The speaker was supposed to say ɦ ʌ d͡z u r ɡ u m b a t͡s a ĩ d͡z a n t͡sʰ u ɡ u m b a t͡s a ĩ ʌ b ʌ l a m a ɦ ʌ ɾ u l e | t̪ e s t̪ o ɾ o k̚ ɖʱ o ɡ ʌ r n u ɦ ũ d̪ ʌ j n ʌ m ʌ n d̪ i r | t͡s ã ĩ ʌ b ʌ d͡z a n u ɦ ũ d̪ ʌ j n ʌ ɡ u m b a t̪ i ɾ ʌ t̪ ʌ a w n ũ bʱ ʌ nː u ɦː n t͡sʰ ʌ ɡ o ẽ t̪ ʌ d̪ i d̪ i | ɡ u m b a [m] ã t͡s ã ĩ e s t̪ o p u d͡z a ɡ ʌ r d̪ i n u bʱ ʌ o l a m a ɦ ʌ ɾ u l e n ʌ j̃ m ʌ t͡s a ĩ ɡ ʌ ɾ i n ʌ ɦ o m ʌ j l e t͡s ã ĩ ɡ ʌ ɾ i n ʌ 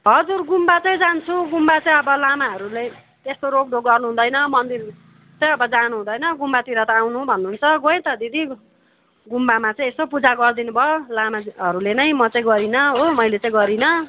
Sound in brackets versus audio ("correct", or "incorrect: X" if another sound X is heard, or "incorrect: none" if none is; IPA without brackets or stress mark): correct